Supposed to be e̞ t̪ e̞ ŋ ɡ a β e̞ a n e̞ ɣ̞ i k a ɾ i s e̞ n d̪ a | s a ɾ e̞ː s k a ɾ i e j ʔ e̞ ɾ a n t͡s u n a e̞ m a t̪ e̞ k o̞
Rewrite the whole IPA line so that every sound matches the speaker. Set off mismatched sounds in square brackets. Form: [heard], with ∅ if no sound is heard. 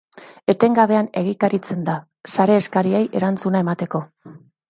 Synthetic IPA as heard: e̞ t̪ e̞ ŋ ɡ a β e̞ a n e̞ ɣ̞ i k a ɾ i [t͡s] e̞ n d̪ a | s a ɾ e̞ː s k a ɾ i e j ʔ e̞ ɾ a n t͡s u n a e̞ m a t̪ e̞ k o̞